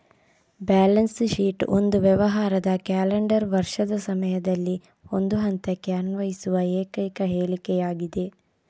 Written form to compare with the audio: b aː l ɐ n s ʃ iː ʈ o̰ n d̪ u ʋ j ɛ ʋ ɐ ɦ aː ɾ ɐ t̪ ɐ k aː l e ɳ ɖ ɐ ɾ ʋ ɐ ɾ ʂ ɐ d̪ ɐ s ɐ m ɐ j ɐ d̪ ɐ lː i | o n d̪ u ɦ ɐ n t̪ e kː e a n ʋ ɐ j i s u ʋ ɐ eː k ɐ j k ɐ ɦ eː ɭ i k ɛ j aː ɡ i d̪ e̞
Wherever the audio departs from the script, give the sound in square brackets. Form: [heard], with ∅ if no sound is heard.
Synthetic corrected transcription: b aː l ɐ n s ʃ iː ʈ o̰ n d̪ u ʋ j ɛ ʋ ɐ ɦ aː ɾ ɐ [d̪] ɐ k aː l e ɳ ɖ ɐ ɾ ʋ ɐ ɾ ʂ ɐ d̪ ɐ s ɐ m ɐ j ɐ d̪ ɐ lː i | o n d̪ u ɦ ɐ n t̪ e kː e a n ʋ ɐ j i s u ʋ ɐ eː k ɐ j k ɐ ɦ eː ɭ i k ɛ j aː ɡ i d̪ e̞

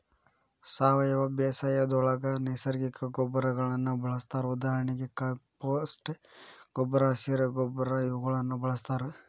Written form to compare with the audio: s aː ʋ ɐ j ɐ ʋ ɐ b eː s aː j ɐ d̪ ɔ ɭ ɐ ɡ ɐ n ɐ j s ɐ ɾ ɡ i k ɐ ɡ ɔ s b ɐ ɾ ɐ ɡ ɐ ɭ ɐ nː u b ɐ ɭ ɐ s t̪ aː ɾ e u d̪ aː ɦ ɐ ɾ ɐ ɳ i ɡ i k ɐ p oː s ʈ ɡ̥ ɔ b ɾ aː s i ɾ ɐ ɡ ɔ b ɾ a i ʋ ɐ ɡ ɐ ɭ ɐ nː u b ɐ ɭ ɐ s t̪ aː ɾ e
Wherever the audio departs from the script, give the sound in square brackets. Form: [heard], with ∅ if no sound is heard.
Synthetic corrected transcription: s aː ʋ ɐ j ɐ ʋ ɐ b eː s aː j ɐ d̪ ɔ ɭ ɐ ɡ ɐ n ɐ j s ɐ ɾ ɡ i k ɐ ɡ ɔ [∅] b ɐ ɾ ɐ ɡ ɐ ɭ ɐ nː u b ɐ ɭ ɐ s t̪ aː ɾ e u d̪ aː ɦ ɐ ɾ ɐ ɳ i ɡ [e] k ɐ p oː s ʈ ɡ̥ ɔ b ɾ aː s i ɾ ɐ ɡ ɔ b ɾ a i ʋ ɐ ɡ ɐ ɭ ɐ nː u b ɐ ɭ ɐ s t̪ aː ɾ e

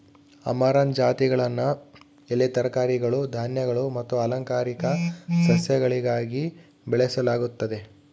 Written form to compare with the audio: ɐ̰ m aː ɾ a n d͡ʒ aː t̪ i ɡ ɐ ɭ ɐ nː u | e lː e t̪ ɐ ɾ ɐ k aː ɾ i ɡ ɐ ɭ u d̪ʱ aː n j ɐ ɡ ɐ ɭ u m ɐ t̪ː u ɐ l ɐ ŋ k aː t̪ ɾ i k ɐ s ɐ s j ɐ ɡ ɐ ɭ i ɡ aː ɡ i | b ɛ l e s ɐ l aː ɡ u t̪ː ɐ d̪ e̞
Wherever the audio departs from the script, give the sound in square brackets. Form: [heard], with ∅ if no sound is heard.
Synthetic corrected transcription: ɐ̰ m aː ɾ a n d͡ʒ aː t̪ i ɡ ɐ ɭ ɐ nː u | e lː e t̪ ɐ ɾ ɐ k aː ɾ i ɡ ɐ ɭ u d̪ʱ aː n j ɐ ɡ ɐ ɭ u m ɐ t̪ː u ɐ l ɐ ŋ k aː [∅] ɾ i k ɐ s ɐ s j ɐ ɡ ɐ ɭ i ɡ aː ɡ i | b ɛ [ɭ] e s ɐ l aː ɡ u t̪ː ɐ d̪ e̞

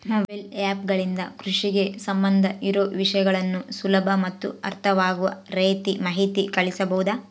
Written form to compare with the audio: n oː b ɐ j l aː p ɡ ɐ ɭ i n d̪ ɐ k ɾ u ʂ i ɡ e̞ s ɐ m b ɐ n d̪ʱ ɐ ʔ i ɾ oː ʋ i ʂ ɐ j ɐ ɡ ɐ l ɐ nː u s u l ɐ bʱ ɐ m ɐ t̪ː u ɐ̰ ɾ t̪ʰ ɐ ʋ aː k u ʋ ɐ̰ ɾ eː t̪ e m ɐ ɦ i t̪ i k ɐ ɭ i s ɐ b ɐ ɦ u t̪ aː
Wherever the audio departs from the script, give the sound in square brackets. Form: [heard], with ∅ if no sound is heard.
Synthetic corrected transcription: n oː b ɐ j l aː p ɡ ɐ ɭ i n d̪ ɐ k ɾ u ʂ i ɡ e̞ s ɐ m b ɐ n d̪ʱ ɐ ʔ i ɾ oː ʋ i ʂ ɐ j ɐ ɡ ɐ [ɭ] ɐ nː u s u l ɐ bʱ ɐ m ɐ t̪ː u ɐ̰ ɾ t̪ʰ ɐ ʋ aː [ɡ] u ʋ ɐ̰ ɾ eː t̪ [i] m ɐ ɦ i t̪ i k ɐ ɭ i s ɐ b ɐ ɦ u [d̪] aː

